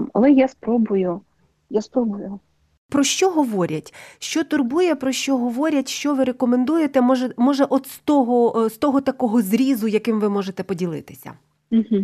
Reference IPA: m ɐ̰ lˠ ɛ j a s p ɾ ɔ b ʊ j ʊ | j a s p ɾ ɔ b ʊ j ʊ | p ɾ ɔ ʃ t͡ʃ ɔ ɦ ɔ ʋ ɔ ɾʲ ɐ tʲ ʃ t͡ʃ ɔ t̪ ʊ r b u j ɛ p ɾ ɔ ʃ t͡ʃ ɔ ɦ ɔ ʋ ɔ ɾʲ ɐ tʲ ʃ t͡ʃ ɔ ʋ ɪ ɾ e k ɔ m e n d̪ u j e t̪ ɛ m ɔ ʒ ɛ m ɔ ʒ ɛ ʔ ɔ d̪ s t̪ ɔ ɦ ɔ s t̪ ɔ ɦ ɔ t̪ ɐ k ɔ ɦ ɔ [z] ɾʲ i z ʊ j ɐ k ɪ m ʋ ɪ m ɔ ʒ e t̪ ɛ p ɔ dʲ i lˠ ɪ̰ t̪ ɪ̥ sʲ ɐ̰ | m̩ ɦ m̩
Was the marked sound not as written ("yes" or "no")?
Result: no